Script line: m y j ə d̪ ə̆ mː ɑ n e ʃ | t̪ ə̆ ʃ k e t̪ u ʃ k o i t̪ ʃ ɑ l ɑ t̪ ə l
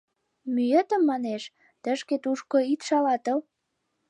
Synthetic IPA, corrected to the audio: m y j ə t̪ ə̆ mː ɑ n e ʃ | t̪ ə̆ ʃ k e t̪ u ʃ k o i t̪ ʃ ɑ l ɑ t̪ ə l